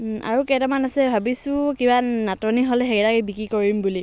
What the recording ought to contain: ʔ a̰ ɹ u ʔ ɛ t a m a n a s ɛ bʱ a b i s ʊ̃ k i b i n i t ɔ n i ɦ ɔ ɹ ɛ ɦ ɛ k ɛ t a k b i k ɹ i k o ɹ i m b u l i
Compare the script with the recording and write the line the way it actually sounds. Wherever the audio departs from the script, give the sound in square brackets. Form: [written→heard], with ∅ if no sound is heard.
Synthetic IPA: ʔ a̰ ɹ u [ʔ→k] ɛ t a m a n a s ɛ bʱ a b i s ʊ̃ k i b [i→a] n [i→a] t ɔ n i ɦ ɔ [ɹ→l] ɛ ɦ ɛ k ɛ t a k b i k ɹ i k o ɹ i m b u l i